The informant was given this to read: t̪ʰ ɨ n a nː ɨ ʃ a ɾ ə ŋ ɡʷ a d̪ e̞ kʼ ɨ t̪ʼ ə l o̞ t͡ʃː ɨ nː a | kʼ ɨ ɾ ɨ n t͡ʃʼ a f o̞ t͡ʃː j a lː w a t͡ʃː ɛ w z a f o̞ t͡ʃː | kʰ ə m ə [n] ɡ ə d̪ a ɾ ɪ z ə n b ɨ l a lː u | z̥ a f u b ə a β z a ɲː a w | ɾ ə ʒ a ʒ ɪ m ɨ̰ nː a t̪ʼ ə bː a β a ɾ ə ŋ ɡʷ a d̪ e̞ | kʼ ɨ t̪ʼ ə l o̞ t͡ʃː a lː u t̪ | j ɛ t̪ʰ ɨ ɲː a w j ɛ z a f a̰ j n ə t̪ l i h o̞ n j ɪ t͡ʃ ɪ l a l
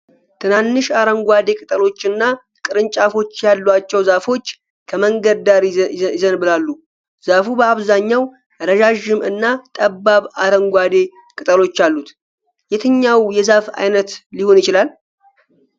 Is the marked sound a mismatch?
yes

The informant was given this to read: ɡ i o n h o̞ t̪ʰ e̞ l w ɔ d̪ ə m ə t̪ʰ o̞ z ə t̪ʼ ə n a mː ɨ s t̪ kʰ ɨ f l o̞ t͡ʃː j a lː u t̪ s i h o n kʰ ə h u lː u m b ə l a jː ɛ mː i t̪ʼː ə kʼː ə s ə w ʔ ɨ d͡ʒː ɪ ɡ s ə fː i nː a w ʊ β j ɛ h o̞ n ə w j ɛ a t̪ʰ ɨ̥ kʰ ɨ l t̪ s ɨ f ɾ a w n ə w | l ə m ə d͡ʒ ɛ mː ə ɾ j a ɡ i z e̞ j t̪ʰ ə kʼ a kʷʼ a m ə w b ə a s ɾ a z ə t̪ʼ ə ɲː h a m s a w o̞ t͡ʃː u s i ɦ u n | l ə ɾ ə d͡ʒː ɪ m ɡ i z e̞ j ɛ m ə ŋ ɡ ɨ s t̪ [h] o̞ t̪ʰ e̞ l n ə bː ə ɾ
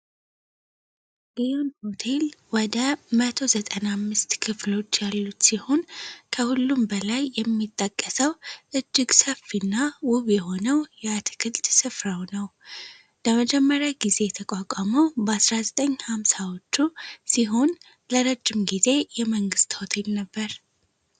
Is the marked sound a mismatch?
no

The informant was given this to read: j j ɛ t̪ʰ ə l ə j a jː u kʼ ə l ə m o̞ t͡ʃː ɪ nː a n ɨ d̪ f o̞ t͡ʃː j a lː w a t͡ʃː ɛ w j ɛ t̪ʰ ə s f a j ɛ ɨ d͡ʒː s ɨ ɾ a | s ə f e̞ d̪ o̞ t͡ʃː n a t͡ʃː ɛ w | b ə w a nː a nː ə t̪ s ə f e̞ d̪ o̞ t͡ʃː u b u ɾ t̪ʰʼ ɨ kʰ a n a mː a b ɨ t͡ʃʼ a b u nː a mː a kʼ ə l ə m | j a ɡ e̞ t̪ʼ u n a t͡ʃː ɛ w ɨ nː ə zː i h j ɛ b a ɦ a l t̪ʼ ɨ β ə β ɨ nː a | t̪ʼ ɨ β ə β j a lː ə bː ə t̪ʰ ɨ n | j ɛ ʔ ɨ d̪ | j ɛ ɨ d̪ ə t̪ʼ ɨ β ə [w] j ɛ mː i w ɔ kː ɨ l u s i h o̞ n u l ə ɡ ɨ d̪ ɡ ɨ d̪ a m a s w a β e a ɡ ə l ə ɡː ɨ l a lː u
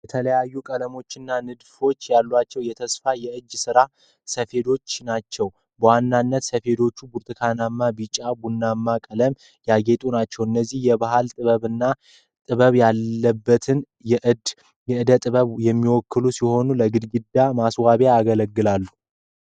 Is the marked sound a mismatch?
yes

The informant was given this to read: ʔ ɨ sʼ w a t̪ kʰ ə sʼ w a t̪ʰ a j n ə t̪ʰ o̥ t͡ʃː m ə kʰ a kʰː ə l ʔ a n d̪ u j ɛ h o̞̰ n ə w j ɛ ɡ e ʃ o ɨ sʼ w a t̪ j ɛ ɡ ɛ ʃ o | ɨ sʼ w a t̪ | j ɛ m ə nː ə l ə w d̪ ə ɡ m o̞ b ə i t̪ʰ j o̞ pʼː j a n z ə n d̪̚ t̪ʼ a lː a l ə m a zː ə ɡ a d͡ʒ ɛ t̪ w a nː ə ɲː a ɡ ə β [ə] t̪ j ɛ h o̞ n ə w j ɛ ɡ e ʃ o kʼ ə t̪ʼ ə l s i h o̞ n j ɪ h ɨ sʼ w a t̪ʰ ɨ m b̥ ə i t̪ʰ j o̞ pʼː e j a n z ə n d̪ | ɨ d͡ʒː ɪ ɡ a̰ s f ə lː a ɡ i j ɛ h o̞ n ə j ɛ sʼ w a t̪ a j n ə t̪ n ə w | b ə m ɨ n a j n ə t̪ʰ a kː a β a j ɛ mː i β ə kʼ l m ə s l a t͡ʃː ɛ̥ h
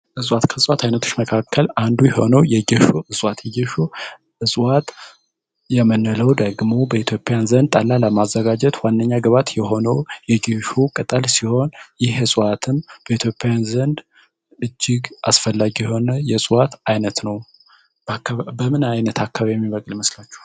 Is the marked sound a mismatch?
yes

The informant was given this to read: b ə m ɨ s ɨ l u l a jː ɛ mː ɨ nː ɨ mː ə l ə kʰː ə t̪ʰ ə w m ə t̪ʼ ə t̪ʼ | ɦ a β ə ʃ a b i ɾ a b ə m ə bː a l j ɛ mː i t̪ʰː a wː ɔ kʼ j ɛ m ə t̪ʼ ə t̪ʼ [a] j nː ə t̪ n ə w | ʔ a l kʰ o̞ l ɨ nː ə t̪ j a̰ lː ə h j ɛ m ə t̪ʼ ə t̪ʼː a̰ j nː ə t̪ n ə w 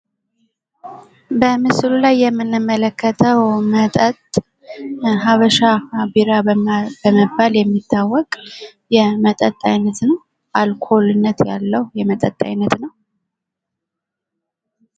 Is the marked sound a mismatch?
no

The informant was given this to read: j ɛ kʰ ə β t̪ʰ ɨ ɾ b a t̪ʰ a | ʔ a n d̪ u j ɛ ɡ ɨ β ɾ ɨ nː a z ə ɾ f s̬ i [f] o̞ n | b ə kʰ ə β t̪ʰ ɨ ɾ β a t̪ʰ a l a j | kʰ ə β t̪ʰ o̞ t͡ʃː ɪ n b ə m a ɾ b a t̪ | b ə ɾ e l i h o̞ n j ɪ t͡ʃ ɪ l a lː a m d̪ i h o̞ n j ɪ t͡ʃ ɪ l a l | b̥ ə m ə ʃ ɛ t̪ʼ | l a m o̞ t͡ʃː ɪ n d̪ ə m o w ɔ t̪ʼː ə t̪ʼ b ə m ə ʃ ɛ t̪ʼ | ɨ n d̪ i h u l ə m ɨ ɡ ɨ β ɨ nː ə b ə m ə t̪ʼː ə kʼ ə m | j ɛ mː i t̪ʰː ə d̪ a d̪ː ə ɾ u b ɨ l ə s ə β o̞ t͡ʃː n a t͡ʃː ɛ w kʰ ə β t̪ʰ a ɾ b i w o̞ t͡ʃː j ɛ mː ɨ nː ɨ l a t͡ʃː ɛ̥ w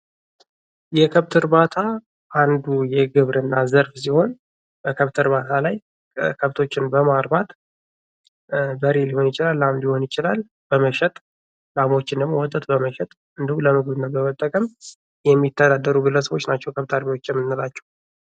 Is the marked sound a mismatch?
yes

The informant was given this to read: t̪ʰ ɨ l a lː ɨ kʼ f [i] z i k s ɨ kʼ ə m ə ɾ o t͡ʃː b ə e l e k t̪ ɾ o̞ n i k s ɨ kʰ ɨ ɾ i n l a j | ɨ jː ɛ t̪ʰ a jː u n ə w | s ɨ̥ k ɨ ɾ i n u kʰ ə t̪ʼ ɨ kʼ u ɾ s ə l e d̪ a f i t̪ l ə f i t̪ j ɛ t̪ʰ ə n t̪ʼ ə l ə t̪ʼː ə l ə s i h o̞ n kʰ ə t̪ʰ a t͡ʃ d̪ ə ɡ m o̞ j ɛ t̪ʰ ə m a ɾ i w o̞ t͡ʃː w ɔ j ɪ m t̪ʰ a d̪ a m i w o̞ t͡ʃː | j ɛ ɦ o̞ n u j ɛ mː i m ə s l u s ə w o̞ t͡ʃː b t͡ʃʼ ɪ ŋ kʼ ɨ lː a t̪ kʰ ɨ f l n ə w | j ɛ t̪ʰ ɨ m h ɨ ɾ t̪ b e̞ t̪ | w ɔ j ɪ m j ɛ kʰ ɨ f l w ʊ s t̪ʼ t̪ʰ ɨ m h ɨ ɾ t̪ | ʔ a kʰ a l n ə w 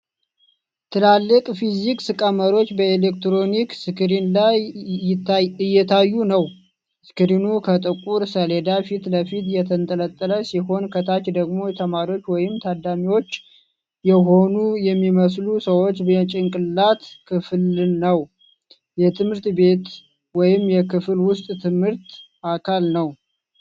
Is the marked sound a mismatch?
no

